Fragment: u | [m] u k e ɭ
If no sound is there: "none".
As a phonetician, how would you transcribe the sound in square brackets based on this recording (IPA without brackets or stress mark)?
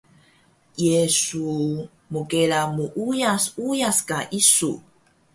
m